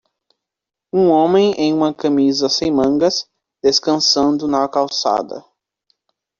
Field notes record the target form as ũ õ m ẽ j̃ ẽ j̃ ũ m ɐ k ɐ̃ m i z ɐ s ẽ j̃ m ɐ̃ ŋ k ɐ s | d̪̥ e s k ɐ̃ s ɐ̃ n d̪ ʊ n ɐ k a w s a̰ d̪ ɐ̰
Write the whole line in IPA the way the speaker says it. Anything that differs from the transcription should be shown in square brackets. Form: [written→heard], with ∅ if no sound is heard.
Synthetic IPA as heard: ũ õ m ẽ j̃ ẽ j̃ ũ m ɐ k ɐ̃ m i z ɐ s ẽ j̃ m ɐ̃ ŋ [k→ɡ] ɐ s | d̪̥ e s k ɐ̃ s ɐ̃ n d̪ ʊ n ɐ k a w s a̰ d̪ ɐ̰